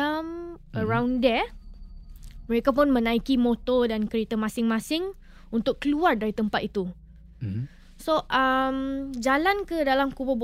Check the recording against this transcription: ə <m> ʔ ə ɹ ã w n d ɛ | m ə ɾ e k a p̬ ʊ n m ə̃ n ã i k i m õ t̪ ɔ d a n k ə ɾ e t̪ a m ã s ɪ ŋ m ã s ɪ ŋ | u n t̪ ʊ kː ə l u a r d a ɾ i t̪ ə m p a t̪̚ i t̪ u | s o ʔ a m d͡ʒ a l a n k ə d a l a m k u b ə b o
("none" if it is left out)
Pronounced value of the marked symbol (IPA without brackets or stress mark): m